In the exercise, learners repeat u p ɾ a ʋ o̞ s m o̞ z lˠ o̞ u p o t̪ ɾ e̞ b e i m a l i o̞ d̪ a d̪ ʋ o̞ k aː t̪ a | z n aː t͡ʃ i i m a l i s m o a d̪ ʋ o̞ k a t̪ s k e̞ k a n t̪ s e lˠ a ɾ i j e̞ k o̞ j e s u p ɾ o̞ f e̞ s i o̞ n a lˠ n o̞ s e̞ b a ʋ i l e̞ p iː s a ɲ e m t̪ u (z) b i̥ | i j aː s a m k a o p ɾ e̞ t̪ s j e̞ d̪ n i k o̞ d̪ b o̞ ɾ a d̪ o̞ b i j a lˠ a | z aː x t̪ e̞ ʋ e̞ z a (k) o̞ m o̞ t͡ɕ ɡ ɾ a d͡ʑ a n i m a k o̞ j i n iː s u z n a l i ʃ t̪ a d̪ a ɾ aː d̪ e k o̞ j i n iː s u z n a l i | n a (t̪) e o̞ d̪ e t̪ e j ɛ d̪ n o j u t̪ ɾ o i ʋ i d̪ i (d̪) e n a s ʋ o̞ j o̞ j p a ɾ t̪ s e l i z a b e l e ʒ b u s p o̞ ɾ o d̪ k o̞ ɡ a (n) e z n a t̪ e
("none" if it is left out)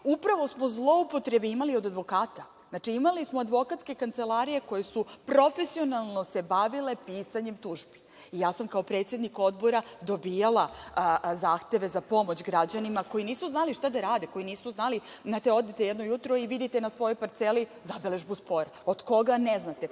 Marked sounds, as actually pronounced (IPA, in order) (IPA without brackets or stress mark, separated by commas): ʒ, p, t̪, t̪, n